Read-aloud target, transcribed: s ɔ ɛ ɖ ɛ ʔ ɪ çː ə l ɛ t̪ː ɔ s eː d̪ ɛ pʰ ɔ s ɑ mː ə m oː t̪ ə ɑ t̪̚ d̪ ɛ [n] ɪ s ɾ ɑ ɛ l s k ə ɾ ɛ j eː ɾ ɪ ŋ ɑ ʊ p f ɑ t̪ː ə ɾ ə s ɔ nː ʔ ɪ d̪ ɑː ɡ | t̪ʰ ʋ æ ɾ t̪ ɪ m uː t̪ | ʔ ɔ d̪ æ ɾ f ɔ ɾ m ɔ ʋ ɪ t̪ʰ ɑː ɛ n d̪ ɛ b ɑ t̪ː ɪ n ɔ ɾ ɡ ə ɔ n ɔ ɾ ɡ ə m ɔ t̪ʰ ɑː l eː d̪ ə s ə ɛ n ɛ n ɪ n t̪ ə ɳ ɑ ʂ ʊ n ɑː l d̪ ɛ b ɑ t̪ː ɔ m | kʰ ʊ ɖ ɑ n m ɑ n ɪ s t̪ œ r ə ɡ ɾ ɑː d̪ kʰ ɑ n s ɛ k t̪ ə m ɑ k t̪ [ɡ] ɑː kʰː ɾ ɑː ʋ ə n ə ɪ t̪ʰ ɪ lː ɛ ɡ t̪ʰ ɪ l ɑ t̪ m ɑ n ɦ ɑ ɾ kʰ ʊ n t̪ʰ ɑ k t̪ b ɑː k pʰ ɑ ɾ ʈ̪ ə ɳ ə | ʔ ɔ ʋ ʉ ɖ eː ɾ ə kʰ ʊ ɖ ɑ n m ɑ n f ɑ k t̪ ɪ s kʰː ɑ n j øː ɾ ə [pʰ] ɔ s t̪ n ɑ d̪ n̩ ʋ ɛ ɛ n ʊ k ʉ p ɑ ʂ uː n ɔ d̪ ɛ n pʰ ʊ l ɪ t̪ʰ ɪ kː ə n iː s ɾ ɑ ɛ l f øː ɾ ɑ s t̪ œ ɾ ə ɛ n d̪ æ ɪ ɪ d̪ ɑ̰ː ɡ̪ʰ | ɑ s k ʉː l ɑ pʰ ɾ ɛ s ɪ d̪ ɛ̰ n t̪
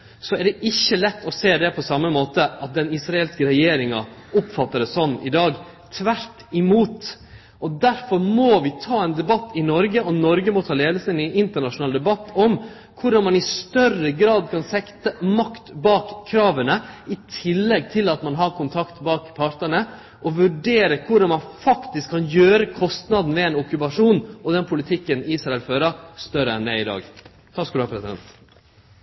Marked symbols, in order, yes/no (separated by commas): yes, no, no